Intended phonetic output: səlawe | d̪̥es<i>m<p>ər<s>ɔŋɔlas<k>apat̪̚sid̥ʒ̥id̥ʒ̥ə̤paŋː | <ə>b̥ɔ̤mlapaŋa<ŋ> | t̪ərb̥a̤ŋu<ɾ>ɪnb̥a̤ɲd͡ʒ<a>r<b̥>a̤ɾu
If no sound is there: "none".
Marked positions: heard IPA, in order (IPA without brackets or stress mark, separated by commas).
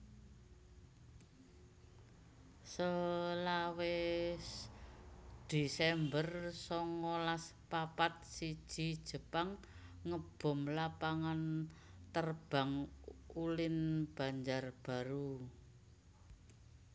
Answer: ɛ, b, s, p, ə, n, l, a, b̥